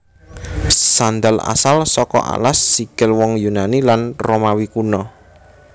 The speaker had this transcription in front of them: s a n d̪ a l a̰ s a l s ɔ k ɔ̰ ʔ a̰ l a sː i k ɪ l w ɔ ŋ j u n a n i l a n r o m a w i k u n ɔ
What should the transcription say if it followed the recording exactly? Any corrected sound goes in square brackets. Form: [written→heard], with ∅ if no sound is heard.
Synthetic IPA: s a n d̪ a l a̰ s a l s ɔ k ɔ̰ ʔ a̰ l a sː i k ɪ l w ɔ ŋ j u n a n i l a n r o m a w i k u n ɔ